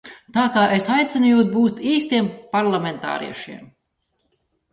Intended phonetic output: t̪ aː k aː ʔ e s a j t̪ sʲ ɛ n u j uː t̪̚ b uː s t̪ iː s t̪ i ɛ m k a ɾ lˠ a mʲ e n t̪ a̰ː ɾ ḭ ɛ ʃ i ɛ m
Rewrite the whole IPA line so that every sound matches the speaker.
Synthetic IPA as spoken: t̪ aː k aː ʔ e s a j t̪ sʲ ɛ n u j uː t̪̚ b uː s t̪ iː s t̪ i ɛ m p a ɾ lˠ a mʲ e n t̪ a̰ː ɾ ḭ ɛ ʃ i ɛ m